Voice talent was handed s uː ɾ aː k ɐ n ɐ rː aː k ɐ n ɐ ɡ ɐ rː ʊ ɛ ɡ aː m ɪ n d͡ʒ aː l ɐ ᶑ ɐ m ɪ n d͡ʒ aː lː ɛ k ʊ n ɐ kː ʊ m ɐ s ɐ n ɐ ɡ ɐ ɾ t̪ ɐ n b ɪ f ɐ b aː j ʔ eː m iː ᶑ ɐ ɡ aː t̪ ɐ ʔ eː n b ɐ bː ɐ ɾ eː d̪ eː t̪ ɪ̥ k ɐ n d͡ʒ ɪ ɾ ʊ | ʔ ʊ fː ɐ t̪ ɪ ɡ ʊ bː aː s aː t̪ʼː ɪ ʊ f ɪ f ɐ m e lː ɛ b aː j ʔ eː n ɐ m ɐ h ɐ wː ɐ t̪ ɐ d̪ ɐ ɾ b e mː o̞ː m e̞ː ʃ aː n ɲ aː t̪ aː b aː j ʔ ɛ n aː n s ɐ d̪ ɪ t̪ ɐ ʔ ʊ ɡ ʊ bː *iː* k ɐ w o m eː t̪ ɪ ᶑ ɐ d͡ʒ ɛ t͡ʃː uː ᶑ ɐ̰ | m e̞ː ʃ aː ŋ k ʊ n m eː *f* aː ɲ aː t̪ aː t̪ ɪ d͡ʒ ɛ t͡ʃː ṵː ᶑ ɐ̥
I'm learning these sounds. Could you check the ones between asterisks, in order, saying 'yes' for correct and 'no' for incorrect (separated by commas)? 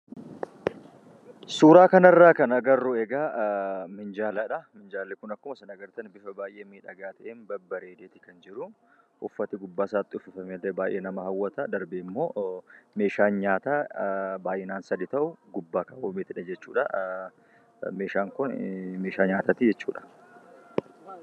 no, no